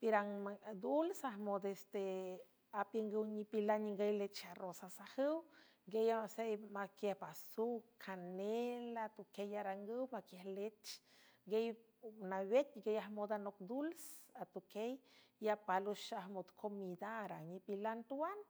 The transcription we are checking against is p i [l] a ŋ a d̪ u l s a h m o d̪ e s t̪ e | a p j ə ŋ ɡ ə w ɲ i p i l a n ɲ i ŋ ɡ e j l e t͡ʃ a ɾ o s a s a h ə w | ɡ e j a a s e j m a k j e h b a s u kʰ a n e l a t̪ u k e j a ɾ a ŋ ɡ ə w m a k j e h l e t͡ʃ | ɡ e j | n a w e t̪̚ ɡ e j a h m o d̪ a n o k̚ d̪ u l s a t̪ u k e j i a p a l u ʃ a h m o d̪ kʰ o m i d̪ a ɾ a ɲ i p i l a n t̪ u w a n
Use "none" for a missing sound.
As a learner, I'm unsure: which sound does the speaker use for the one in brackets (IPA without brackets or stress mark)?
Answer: ɾ